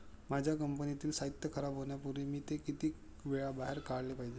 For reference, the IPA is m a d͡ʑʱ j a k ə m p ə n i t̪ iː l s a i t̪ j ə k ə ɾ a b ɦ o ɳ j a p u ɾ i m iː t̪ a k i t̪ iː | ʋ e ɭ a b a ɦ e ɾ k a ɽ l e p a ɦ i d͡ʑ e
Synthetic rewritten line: m a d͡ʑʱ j a k ə m p ə n i t̪ iː l s a i t̪ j ə kʰ ə ɾ a b ɦ o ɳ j a p u ɾ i m iː t̪ e k i t̪ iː | ʋ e ɭ a b a ɦ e ɾ k a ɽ l e p a ɦ i d͡ʑ e